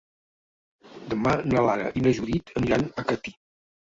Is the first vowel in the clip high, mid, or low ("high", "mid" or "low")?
mid